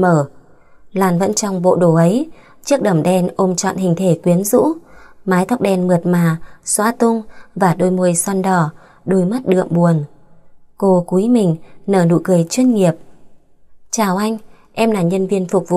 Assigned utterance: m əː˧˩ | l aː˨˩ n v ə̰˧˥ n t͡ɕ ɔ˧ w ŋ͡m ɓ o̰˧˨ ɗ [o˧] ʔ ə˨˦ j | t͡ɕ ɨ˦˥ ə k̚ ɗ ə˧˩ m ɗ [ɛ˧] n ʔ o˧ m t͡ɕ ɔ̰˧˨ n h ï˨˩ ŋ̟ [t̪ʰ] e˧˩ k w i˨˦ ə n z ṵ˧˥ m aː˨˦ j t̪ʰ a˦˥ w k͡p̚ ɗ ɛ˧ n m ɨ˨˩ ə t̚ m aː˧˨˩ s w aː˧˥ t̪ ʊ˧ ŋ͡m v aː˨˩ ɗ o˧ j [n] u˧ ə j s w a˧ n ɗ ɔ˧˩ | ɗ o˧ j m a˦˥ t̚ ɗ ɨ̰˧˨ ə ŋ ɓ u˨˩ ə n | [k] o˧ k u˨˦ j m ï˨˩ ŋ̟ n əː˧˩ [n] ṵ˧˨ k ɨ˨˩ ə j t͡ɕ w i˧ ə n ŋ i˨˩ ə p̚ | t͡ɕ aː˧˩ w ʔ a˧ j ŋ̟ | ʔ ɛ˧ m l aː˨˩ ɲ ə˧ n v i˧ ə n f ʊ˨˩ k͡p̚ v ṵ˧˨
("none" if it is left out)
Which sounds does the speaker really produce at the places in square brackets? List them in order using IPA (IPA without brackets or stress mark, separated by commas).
o˧˩, ɛ˧, t̪ʰ, m, k, n